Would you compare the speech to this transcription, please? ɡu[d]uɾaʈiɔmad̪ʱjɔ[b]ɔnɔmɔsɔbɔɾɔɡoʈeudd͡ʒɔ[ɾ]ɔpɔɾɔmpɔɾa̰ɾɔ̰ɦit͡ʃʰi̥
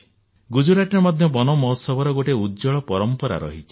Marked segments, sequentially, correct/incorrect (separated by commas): incorrect, correct, incorrect